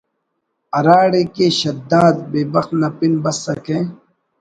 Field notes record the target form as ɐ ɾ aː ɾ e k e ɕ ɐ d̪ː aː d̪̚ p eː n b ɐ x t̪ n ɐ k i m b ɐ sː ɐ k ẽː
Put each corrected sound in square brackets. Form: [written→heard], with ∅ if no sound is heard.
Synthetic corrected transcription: ɐ ɾ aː [ɾ→ɽ] e k e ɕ ɐ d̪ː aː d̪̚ [p→b] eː [n→∅] b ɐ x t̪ n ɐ [k→p] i [m→n] b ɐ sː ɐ k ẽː